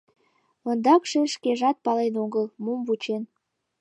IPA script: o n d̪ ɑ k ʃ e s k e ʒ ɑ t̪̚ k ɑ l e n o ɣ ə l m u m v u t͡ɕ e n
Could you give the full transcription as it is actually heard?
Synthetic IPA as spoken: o n d̪ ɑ k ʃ e ʃ k e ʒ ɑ t̪̚ p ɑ l e n o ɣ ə l m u m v u t͡ɕ e n